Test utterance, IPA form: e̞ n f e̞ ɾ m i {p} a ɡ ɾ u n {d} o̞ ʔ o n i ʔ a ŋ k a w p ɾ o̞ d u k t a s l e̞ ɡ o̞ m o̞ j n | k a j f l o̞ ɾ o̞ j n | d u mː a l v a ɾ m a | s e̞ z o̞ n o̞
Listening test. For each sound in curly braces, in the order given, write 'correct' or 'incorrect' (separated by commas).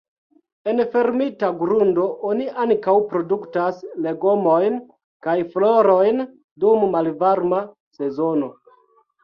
incorrect, correct